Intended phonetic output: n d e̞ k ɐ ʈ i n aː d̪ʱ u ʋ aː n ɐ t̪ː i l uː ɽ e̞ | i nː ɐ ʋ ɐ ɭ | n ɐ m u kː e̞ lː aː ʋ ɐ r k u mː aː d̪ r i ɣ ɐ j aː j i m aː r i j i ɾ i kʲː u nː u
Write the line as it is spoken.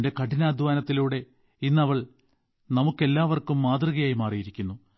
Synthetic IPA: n d e̞ k ɐ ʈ i n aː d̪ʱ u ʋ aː n ɐ t̪ː i l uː ɽ e̞ | i nː ɐ ʋ ɐ ɭ | n ɐ m u kː e̞ lː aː ʋ ɐ r k u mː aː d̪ r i ɣ ɐ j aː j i m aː r i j i ɾ i kʲː u nː u